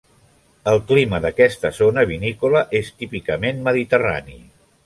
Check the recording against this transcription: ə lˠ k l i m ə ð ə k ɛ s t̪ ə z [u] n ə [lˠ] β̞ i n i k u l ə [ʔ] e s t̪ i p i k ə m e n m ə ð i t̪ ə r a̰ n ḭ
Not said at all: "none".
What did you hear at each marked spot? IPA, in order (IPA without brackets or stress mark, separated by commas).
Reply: o, none, ʔ